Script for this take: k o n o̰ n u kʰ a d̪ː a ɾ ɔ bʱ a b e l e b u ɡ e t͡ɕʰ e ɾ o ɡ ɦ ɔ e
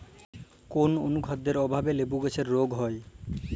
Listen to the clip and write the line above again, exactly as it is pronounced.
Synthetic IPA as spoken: k o n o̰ n u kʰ a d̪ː e ɾ ɔ bʱ a b e l e b u ɡ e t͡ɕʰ e ɾː o ɡ ɦ ɔ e